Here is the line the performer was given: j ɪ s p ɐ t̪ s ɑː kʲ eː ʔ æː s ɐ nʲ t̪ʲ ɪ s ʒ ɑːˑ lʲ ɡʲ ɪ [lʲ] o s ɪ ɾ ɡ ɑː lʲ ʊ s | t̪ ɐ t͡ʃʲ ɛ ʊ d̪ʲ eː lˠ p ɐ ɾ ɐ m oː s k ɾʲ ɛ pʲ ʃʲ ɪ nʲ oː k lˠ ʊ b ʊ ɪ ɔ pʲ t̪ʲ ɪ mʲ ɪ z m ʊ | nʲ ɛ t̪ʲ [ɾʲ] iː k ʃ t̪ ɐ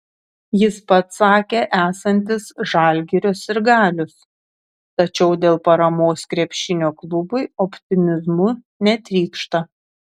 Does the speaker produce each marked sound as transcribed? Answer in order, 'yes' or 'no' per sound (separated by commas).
no, yes